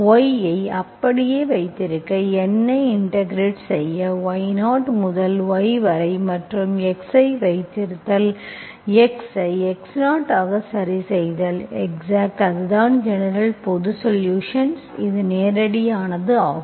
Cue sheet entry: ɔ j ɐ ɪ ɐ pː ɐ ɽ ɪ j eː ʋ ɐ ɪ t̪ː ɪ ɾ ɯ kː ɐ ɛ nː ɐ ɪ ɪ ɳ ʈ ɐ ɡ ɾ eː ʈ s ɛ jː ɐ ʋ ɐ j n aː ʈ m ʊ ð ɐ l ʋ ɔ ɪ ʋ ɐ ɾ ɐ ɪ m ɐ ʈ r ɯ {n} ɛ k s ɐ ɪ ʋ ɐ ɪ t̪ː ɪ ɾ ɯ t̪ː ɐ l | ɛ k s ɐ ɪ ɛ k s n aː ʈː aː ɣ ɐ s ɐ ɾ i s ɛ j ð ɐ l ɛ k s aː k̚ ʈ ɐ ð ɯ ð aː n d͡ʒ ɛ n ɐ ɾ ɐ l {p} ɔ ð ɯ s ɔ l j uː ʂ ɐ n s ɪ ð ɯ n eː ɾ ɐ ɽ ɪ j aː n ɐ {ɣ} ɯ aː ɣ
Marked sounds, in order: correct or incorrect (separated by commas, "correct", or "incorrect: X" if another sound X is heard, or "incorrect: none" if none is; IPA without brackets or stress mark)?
incorrect: m, correct, incorrect: ð